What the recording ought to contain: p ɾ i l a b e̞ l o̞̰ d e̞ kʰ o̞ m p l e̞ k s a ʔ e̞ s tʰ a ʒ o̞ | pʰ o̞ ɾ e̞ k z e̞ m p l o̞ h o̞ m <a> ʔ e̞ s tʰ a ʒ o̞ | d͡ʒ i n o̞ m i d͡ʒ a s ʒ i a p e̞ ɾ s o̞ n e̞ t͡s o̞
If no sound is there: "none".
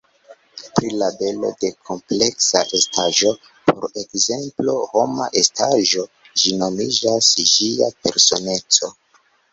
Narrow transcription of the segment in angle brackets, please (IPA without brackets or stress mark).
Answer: a